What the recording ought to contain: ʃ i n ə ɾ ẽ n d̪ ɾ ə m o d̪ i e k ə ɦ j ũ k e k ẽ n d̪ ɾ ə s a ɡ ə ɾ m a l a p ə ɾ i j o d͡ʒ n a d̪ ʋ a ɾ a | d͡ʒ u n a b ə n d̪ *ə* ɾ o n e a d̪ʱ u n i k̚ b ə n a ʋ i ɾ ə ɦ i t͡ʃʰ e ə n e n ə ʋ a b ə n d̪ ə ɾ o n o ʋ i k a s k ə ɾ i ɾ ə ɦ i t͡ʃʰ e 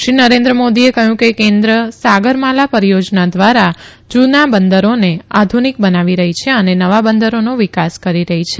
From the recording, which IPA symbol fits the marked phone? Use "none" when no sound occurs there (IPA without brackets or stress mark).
ə